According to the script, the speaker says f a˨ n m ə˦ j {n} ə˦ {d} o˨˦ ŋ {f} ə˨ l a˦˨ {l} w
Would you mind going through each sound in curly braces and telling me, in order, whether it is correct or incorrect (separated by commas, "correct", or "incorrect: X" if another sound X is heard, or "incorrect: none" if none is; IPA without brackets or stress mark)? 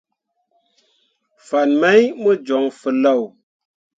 incorrect: m, incorrect: d͡ʒ, correct, incorrect: none